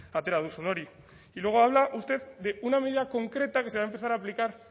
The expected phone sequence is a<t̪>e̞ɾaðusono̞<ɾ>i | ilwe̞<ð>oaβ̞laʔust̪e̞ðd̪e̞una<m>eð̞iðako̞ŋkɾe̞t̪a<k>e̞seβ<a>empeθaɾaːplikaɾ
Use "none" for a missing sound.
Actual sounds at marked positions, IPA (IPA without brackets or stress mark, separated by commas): t̪, ɾ, ɣ, m, k, a